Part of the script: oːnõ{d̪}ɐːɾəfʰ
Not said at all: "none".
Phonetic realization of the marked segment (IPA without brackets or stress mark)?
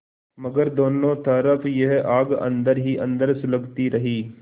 t̪